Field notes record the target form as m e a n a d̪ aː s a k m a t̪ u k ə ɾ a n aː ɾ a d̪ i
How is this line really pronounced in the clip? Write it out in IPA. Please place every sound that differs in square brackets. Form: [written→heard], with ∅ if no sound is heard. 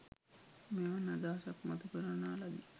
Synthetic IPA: m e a n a d̪ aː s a k m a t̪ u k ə ɾ a n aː [ɾ→l] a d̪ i